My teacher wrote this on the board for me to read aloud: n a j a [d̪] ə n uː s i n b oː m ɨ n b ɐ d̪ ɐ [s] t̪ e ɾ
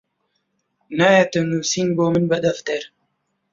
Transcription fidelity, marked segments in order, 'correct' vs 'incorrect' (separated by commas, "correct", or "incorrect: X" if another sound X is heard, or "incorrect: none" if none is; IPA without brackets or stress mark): incorrect: t̪, incorrect: f